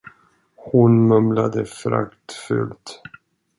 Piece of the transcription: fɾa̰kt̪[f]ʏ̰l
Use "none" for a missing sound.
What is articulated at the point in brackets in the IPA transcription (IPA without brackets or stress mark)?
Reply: f